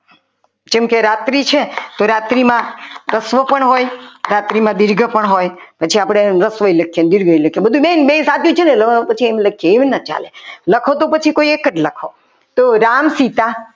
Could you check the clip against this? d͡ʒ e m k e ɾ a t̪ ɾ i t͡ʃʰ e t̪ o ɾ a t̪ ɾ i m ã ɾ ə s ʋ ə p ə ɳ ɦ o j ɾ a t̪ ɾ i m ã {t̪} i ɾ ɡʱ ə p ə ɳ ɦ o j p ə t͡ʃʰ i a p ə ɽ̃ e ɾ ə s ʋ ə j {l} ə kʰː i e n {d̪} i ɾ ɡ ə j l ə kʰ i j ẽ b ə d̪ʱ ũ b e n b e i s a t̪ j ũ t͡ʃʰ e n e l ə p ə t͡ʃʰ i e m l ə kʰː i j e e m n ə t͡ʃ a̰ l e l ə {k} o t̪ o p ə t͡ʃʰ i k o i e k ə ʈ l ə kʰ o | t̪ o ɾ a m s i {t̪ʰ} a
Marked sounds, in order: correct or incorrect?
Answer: incorrect, correct, correct, incorrect, incorrect

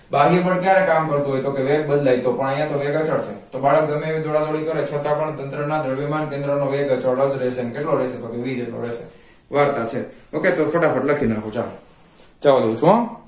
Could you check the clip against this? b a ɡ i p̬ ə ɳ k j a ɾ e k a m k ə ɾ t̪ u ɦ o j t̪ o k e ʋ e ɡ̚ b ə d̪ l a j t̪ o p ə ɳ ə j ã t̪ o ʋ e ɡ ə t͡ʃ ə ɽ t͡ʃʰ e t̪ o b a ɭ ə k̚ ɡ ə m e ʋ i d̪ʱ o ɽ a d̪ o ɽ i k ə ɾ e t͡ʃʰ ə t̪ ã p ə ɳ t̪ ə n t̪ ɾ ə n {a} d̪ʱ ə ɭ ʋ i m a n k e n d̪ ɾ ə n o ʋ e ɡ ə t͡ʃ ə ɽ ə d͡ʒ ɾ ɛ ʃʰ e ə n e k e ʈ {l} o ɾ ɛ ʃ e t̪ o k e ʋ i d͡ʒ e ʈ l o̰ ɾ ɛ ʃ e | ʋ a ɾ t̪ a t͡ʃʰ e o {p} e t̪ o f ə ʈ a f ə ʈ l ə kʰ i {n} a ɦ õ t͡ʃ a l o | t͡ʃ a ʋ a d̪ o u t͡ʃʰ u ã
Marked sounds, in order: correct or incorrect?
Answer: correct, correct, incorrect, correct

